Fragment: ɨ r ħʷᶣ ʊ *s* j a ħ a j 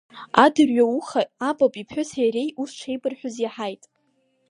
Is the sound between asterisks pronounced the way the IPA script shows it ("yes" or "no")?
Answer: no